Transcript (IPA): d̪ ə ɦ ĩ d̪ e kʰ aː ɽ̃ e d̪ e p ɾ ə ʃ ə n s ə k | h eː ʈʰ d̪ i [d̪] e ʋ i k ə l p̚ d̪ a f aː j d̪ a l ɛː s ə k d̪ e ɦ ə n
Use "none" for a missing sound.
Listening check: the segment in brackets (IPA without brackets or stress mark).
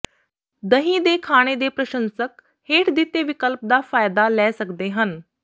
t̪